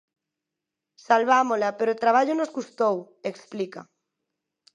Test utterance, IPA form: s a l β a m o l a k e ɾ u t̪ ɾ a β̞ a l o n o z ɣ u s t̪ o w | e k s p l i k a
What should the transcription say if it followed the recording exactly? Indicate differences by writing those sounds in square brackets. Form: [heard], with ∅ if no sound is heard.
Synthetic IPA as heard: s a l β a m o l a [p] e ɾ [o] t̪ ɾ a β̞ a [ʎ] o n o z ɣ u s t̪ o w | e k s p l i k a